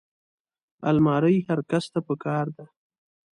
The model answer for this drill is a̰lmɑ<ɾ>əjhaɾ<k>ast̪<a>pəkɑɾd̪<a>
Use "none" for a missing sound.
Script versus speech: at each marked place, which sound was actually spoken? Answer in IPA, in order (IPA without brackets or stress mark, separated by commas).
ɾ, k, a, a